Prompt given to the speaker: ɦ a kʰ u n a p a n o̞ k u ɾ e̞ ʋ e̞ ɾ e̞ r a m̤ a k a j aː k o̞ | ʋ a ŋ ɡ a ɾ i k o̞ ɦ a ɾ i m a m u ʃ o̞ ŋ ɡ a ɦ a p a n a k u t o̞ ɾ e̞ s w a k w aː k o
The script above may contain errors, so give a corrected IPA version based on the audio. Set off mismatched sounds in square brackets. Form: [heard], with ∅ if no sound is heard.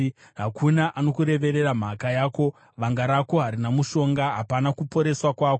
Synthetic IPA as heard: ɦ a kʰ u n a [ʔ] a n o̞ k u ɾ e̞ ʋ e̞ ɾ e̞ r a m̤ a k a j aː k o̞ | ʋ a ŋ ɡ a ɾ [a] k o̞ ɦ a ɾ i [n] a m u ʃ o̞ ŋ ɡ a ɦ a p a n a k u [p] o̞ ɾ e̞ s w a k w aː k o